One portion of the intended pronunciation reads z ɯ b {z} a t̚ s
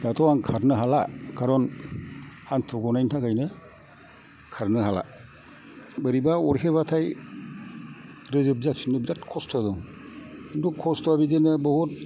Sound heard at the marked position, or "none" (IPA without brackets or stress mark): z